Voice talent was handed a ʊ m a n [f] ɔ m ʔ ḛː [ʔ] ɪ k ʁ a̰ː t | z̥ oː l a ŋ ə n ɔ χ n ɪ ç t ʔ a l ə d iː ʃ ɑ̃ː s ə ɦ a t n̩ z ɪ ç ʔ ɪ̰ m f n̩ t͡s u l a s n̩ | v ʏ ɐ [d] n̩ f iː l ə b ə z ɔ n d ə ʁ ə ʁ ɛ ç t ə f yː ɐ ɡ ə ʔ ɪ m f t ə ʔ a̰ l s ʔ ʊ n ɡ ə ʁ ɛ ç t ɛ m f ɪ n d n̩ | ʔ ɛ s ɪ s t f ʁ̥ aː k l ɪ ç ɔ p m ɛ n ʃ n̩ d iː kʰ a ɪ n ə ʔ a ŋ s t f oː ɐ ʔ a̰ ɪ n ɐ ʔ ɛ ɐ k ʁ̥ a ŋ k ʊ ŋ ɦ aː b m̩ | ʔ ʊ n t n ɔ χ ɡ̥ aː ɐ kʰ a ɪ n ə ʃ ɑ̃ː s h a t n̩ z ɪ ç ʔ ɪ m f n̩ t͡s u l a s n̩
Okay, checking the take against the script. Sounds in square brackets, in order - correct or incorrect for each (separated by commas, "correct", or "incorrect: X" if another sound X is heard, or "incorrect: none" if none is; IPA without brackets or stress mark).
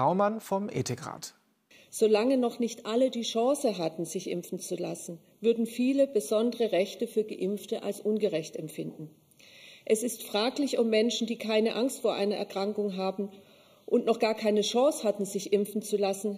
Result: correct, incorrect: t, correct